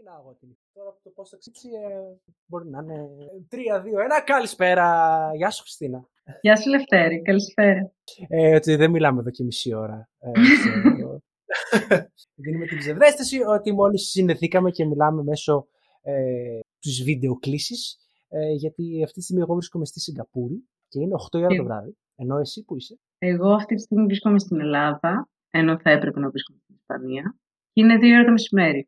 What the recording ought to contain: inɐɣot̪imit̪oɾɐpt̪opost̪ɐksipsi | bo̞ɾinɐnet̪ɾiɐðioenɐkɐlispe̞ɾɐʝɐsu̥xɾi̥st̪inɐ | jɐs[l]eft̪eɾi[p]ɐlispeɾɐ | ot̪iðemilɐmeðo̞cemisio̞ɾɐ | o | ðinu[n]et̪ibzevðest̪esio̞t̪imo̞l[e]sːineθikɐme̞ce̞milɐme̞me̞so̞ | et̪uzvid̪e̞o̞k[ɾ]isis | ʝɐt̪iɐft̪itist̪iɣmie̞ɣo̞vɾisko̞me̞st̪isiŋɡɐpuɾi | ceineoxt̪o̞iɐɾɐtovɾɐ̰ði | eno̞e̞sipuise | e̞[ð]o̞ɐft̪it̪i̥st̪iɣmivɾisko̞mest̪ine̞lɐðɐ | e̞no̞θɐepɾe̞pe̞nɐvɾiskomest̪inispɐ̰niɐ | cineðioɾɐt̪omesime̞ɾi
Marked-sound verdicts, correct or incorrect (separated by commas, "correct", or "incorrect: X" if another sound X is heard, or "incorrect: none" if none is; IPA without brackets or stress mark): correct, incorrect: k, incorrect: m, incorrect: i, incorrect: l, incorrect: ɣ